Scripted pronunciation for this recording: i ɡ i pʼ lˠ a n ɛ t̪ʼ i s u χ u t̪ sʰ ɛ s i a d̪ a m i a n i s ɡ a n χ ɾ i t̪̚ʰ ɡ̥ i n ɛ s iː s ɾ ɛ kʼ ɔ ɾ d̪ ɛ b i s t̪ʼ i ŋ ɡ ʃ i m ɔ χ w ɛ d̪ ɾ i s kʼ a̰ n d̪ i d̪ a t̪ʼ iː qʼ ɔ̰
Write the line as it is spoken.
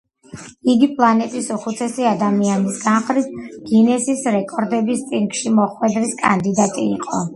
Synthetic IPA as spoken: i ɡ i pʼ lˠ a n ɛ t̪ʼ i s u χ u t̪ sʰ ɛ s i a d̪ a m i a n i s ɡ a n χ ɾ i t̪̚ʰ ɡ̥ i n ɛ s i s ɾ ɛ kʼ ɔ ɾ d̪ ɛ b i s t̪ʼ i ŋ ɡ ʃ i m ɔ χ w ɛ d̪ ɾ i s kʼ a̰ n d̪ i d̪ a t̪ʼ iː qʼ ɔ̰